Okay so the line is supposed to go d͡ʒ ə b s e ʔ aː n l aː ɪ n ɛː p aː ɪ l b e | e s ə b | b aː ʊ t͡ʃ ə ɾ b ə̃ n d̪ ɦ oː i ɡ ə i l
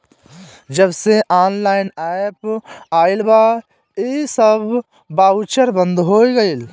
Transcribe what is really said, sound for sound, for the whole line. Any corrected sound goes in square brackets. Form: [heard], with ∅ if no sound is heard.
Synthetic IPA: d͡ʒ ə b s e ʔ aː n l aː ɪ n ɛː p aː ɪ l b [a] | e s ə b | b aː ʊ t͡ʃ ə ɾ b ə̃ n d̪ ɦ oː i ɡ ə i l